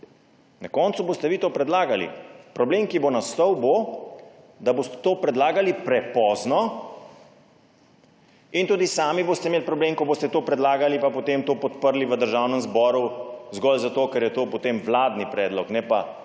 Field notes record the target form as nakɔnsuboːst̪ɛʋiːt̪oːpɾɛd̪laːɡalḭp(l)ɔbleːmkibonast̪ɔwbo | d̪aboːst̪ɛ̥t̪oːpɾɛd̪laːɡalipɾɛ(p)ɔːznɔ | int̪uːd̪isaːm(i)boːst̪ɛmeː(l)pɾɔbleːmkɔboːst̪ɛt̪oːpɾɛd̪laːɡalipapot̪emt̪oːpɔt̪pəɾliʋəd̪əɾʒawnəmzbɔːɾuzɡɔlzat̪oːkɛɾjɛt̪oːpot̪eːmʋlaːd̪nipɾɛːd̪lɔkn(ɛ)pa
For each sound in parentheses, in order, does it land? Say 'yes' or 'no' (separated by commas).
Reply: no, yes, yes, yes, yes